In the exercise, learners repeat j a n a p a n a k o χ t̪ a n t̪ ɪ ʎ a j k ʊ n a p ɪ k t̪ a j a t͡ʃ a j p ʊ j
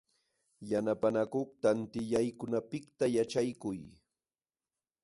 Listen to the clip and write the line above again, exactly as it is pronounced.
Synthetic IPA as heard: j a n a p a n a k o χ t̪ a n t̪ ɪ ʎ a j k ʊ n a p ɪ k t̪ a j a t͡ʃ a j k ʊ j